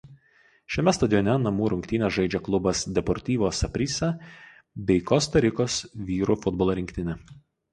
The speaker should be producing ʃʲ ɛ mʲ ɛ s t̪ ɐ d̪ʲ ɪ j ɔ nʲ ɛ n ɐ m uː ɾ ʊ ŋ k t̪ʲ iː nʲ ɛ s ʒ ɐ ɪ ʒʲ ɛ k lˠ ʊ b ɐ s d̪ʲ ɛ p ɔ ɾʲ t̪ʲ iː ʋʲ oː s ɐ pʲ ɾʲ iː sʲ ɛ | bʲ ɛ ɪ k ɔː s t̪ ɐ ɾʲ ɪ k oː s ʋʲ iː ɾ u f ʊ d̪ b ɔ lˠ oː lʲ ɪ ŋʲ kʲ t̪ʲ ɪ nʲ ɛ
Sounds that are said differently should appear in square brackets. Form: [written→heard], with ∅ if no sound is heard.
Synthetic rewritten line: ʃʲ ɛ mʲ ɛ s t̪ ɐ d̪ʲ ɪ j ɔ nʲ ɛ n ɐ m uː ɾ ʊ ŋ k t̪ʲ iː nʲ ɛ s ʒ ɐ ɪ [ʒʲ→d͡ʒʲ] ɛ k lˠ ʊ b ɐ s d̪ʲ ɛ p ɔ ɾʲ t̪ʲ iː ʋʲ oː s ɐ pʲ ɾʲ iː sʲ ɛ | bʲ ɛ ɪ k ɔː s t̪ ɐ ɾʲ ɪ k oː s ʋʲ iː ɾ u f ʊ d̪ b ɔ lˠ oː [lʲ→ɾʲ] ɪ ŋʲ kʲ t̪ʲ ɪ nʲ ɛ